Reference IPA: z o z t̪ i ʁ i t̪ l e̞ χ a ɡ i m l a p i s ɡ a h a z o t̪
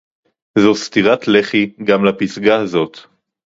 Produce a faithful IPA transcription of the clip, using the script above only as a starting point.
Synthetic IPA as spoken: z o s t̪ i ʁ a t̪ l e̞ χ i ɡ a m l a p i s ɡ a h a z o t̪